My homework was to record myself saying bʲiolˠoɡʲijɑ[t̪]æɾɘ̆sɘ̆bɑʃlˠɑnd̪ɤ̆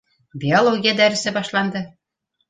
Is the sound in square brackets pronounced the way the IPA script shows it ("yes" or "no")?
no